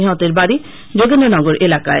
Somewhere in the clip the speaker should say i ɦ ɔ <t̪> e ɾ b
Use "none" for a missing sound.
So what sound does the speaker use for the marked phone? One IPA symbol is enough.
t̪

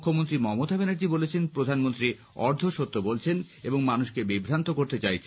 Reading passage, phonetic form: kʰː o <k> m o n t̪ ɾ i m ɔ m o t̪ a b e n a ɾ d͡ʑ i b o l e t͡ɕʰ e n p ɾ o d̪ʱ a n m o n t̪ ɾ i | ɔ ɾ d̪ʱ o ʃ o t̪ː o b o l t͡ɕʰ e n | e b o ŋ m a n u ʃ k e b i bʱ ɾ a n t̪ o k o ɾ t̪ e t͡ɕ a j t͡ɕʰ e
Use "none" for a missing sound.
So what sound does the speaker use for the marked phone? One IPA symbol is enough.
none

